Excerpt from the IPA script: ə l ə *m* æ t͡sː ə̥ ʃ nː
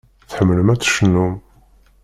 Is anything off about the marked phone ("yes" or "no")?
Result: no